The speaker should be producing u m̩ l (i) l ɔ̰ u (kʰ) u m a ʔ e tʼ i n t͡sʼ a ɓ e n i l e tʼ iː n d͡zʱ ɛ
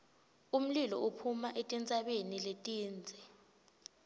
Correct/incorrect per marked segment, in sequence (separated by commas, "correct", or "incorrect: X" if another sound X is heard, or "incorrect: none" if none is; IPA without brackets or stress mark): correct, incorrect: pʰ